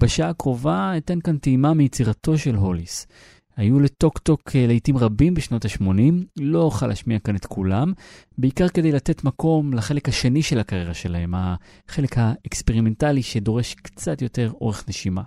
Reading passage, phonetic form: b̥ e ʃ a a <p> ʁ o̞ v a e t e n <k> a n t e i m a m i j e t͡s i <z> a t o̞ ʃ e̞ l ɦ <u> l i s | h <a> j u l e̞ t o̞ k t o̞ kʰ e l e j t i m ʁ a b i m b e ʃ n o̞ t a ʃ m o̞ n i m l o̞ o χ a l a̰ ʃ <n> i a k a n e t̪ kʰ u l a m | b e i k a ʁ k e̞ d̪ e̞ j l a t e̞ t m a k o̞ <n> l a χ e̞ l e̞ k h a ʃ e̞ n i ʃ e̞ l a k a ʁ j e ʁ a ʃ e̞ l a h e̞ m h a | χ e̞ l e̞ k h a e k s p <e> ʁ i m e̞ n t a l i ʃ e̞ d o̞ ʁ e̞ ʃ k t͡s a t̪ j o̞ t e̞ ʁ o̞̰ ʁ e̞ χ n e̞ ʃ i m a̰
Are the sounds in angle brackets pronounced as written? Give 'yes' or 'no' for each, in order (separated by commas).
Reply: no, yes, no, no, yes, no, no, yes